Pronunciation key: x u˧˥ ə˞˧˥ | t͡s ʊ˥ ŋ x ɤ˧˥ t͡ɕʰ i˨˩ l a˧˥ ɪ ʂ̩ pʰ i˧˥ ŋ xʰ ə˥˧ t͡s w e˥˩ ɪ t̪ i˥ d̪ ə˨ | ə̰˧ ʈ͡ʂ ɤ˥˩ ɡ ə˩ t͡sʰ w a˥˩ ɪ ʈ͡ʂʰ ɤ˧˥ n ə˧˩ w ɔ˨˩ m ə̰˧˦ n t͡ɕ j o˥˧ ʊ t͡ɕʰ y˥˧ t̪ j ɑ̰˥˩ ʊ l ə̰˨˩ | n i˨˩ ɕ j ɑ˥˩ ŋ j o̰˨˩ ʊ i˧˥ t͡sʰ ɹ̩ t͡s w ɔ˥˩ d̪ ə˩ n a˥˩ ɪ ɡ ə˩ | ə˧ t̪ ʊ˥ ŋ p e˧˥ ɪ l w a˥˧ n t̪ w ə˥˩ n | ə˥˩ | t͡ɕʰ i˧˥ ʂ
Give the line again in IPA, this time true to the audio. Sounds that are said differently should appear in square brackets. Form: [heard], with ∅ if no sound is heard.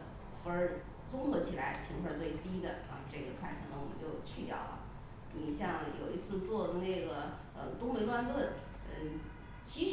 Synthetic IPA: [f] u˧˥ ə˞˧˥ | t͡s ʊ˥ ŋ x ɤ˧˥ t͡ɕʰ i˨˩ l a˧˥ ɪ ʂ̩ pʰ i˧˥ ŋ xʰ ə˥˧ t͡s w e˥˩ ɪ t̪ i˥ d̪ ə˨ | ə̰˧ ʈ͡ʂ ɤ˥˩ ɡ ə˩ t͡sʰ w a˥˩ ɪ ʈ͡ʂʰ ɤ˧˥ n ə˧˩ w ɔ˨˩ m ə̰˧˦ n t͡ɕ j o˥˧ ʊ t͡ɕʰ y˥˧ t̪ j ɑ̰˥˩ ʊ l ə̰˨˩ | n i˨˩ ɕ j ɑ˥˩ ŋ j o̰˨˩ ʊ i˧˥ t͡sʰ ɹ̩ t͡s w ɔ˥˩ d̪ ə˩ n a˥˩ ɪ ɡ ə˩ | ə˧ t̪ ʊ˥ ŋ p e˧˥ ɪ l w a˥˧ n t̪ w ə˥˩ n | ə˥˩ | t͡ɕʰ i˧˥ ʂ